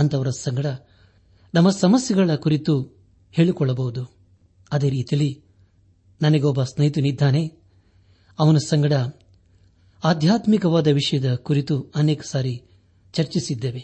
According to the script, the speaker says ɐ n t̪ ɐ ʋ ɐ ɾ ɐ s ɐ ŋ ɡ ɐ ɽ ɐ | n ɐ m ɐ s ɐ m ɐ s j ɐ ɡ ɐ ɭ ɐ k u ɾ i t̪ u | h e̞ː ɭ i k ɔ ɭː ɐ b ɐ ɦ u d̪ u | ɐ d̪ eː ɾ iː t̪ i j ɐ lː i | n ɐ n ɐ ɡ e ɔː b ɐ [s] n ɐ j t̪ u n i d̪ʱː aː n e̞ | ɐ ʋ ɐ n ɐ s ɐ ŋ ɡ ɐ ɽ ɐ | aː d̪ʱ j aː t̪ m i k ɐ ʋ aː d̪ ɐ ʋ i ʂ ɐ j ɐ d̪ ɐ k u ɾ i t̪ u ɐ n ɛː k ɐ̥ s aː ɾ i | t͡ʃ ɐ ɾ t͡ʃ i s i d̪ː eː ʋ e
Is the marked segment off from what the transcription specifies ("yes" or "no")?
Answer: no